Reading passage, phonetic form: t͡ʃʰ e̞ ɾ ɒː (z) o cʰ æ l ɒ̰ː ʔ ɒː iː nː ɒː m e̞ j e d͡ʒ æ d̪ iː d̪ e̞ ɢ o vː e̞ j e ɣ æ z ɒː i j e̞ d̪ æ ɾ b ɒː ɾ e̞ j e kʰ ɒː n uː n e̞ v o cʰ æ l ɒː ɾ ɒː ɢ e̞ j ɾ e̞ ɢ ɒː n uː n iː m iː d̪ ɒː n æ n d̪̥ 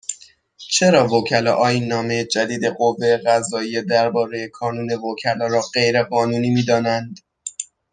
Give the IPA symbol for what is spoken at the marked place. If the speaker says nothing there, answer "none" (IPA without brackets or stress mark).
v